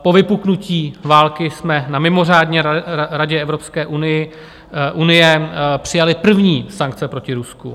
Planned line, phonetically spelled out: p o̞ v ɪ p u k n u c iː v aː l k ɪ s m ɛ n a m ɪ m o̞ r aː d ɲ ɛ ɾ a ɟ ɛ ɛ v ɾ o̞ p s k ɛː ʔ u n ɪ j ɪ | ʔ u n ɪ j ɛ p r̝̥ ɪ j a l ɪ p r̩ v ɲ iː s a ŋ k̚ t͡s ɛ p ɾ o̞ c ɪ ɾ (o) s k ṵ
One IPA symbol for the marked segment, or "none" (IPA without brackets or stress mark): u